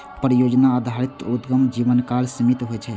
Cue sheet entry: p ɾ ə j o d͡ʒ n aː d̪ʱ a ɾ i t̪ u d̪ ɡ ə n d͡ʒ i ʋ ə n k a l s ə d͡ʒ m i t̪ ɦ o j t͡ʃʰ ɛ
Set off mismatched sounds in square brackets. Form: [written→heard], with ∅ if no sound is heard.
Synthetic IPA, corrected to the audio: p ɾ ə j o d͡ʒ n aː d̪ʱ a ɾ i t̪ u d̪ ɡ ə [n→m] d͡ʒ i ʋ ə n k a l s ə [d͡ʒ→∅] m i t̪ ɦ o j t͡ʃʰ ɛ